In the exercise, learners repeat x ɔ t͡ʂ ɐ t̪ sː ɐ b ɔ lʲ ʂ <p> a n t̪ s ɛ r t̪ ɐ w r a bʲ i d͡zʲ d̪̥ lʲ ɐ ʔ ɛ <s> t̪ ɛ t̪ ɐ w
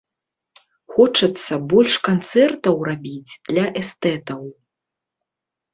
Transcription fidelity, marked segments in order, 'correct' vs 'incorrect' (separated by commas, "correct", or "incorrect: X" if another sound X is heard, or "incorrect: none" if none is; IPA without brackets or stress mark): incorrect: k, correct